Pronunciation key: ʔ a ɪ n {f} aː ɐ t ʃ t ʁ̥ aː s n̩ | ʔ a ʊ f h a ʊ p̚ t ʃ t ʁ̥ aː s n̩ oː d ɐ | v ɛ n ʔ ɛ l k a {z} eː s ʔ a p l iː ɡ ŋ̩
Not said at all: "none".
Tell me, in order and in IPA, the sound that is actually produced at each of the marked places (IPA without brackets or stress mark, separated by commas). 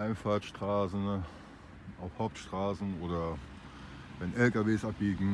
f, v